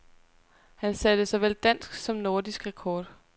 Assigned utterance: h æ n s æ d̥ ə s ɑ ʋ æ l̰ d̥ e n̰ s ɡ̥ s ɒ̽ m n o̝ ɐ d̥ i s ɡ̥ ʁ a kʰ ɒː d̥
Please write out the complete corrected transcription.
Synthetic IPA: h æ n s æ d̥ ə s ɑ ʋ e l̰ d̥ æ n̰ s ɡ̥ s ɒ̽ m n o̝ ɐ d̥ i s ɡ̥ ʁ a kʰ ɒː d̥